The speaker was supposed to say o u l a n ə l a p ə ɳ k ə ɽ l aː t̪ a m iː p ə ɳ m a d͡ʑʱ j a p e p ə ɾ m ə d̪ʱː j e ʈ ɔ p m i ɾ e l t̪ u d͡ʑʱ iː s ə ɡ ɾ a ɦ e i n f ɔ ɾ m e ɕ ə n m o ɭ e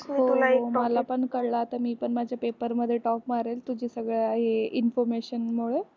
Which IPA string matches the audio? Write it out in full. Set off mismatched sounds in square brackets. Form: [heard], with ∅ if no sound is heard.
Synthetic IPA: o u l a [m] ə l a p ə ɳ k ə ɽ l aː t̪ a m iː p ə ɳ m a d͡ʑʱ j a p e p ə ɾ m ə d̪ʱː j e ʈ ɔ p m [a] ɾ e l t̪ u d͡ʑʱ iː s ə ɡ [ɭ] a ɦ e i n f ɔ ɾ m e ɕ ə n m o ɭ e